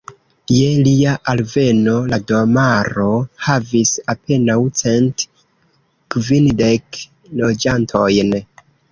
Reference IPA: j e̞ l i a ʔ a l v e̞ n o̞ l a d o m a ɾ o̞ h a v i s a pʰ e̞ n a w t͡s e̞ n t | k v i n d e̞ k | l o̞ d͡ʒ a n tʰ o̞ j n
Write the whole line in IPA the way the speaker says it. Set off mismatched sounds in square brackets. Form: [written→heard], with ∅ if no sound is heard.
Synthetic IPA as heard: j e̞ l i a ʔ a l v e̞ n o̞ l a d o m a ɾ o̞ h a v i s a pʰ e̞ n a w t͡s e̞ n t | k v i n d e̞ k | l o̞ d͡ʒ a n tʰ o̞ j n